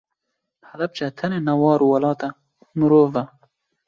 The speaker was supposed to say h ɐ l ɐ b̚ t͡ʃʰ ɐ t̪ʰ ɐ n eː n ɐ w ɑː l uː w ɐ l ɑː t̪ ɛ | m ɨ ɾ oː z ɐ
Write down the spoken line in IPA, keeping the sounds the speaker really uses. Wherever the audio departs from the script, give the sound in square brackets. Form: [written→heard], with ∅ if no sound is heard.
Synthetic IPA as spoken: h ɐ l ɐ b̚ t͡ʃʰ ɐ t̪ʰ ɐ n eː n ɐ w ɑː [l→ɾ] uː w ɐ l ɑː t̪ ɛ | m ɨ ɾ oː [z→v] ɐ